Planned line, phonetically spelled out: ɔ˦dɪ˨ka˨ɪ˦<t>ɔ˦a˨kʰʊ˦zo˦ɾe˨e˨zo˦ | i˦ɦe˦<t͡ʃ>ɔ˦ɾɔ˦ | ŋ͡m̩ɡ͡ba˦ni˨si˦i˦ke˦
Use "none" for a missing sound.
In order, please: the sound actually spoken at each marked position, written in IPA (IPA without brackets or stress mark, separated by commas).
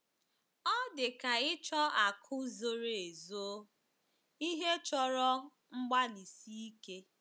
t͡ʃ, t͡ʃ